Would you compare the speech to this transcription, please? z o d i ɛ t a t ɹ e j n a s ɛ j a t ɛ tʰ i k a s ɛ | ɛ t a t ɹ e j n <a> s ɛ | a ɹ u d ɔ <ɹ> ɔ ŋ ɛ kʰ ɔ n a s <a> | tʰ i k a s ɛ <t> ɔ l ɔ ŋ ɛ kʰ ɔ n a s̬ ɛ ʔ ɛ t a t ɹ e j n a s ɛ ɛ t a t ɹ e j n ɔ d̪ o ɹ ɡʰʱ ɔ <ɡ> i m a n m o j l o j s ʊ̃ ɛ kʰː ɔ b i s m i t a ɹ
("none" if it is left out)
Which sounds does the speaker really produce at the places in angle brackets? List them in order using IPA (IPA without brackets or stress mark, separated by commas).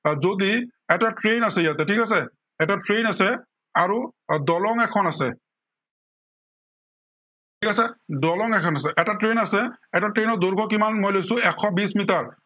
a, l, ɛ, d, k